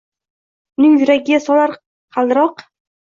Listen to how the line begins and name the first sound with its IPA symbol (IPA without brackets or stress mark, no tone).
n